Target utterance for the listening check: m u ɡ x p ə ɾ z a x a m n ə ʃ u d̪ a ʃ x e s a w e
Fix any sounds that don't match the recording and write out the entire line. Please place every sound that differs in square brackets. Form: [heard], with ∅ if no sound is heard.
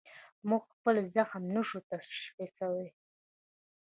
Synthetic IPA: m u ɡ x p ə [l] z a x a m n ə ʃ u [t̪] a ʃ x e s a w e